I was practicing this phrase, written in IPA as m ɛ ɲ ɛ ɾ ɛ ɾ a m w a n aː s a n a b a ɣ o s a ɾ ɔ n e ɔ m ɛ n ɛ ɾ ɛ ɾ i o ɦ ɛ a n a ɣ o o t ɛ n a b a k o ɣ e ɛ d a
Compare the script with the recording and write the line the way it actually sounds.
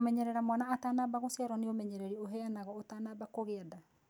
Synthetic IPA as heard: m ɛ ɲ ɛ ɾ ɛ ɾ a m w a n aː t a n a b a ɣ o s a ɾ ɔ n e o m ɛ ɲ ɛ ɾ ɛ ɾ i o ɦ ɛ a n a ɣ ɔ o t a n a b a k o ɣ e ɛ d a